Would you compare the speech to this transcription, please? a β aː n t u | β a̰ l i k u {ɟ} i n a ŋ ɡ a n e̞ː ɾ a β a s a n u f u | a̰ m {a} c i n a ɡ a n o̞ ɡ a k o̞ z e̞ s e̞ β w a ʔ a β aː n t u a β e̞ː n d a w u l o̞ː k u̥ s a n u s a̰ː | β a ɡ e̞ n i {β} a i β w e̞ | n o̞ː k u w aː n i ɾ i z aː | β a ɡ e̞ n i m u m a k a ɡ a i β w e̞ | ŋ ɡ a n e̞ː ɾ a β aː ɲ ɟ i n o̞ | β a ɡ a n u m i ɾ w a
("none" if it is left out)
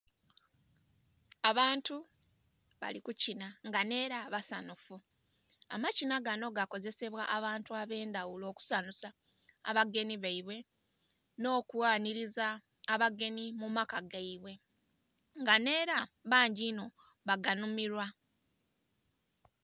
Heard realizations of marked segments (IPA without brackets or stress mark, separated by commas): c, a, β